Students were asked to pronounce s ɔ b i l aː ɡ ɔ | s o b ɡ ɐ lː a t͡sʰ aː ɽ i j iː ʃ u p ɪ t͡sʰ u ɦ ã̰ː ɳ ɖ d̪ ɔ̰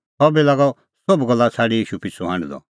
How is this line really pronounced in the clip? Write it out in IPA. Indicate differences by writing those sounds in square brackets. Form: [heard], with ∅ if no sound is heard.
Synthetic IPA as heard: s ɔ b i l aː ɡ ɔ | s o b ɡ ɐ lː a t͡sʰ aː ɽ i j iː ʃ u p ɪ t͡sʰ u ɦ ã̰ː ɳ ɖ d̪ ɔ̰